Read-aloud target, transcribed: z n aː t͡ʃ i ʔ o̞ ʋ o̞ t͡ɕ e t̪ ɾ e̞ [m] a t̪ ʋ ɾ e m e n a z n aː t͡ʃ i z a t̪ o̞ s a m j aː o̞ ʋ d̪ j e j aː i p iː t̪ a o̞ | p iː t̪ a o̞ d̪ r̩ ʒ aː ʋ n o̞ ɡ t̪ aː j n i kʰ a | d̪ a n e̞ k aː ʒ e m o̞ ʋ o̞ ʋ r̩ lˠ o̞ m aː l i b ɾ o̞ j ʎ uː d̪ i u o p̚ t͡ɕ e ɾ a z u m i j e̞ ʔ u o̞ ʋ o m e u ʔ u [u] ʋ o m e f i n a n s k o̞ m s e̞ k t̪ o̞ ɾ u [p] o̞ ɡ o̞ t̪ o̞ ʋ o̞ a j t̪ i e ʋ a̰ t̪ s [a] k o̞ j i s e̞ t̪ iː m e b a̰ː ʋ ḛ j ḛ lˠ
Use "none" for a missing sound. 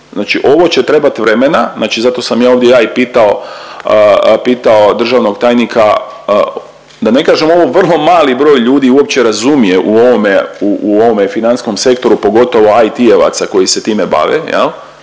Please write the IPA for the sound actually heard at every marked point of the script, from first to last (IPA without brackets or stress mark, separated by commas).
b, o, p, a